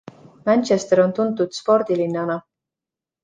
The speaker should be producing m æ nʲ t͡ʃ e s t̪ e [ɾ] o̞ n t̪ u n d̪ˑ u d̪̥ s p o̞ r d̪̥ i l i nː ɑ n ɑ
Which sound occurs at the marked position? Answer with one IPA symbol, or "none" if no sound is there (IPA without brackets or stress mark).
ɾ